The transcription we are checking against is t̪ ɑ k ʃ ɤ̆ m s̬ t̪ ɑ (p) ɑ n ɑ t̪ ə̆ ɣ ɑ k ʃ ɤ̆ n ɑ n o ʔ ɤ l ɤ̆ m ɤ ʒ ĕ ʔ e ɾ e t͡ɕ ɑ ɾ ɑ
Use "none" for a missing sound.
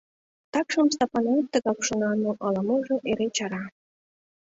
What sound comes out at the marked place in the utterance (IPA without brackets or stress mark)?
p